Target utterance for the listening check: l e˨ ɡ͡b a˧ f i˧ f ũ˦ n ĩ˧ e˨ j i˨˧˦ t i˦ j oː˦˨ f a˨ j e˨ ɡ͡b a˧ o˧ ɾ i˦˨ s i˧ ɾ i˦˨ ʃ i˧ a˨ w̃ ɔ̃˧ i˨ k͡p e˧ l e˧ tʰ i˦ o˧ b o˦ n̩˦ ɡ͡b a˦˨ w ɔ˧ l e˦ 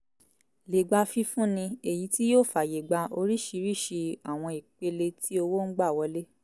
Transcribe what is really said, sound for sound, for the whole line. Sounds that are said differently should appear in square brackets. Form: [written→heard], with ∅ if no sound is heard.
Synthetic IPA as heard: l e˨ ɡ͡b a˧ f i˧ f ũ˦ n ĩ˧ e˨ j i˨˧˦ t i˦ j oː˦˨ f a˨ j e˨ ɡ͡b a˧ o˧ ɾ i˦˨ [s→ʃ] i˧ ɾ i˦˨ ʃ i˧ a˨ w̃ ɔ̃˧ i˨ k͡p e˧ l e˧ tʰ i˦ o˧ [b→w] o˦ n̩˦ ɡ͡b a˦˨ w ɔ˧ l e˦